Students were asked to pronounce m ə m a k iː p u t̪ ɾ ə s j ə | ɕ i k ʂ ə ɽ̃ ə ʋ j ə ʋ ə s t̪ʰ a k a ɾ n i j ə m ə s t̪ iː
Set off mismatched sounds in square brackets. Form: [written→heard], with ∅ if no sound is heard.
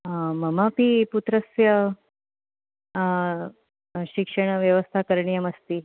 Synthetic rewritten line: m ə m a [k→p] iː p u t̪ ɾ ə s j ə | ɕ i k ʂ ə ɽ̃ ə ʋ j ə ʋ ə s t̪ʰ a k [a→ə] ɾ [n→ɳ] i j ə m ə s t̪ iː

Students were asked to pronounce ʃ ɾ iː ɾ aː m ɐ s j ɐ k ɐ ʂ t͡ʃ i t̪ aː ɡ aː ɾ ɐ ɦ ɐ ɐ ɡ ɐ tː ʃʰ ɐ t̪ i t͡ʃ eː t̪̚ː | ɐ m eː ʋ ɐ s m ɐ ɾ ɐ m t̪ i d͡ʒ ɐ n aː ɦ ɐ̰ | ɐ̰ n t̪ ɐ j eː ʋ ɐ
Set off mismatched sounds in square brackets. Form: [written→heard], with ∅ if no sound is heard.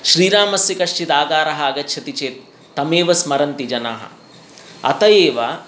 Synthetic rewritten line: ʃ ɾ iː ɾ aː m ɐ s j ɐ k ɐ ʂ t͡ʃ i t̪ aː ɡ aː ɾ ɐ ɦ ɐ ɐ ɡ ɐ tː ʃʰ ɐ t̪ i t͡ʃ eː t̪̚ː | ɐ m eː ʋ ɐ s m ɐ ɾ ɐ [m→n] t̪ i d͡ʒ ɐ n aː ɦ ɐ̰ | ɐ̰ [n→∅] t̪ ɐ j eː ʋ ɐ

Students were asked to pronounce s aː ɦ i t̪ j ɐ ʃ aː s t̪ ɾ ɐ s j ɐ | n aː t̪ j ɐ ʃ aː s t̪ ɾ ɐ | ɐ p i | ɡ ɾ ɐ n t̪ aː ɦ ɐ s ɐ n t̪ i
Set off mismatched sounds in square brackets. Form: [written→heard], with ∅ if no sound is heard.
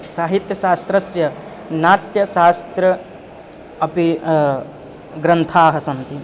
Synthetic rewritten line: s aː ɦ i t̪ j ɐ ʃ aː s t̪ ɾ ɐ s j ɐ | n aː t̪ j ɐ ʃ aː s t̪ ɾ ɐ | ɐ p i | ɡ ɾ ɐ n [t̪→t̪ʰ] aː ɦ ɐ s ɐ n t̪ i

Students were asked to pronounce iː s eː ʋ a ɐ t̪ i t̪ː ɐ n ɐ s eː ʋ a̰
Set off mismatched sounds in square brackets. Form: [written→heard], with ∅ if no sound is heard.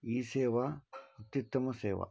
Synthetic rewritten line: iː s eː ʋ a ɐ t̪ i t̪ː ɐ [n→m] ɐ s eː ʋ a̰

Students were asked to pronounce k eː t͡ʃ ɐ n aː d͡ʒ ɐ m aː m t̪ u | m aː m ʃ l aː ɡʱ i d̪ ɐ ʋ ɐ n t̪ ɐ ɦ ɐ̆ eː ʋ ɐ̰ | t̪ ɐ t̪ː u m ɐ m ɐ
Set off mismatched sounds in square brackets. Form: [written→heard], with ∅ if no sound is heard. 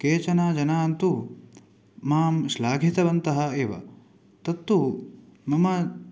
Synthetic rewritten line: k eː t͡ʃ ɐ n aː d͡ʒ ɐ [m→n] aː [m→n] t̪ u | m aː m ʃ l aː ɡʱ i [d̪→t̪] ɐ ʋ ɐ n t̪ ɐ ɦ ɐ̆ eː ʋ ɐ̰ | t̪ ɐ t̪ː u m ɐ m ɐ

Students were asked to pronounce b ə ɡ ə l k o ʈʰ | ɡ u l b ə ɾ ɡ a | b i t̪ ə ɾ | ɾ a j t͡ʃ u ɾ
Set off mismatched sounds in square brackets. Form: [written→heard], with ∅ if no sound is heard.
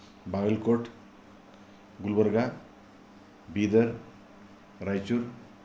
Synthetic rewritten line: b [ə→a] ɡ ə l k o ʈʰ | ɡ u l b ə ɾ ɡ a | b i [t̪→d̪] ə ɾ | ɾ a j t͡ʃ u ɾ

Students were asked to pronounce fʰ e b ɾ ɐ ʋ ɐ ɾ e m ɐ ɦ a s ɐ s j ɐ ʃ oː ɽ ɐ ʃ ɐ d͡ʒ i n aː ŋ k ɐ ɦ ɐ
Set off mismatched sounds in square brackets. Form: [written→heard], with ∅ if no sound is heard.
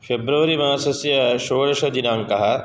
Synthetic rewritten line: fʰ e b ɾ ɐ ʋ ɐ ɾ [e→i] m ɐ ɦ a s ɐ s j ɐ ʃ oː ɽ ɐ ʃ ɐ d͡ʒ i n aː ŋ k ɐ ɦ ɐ

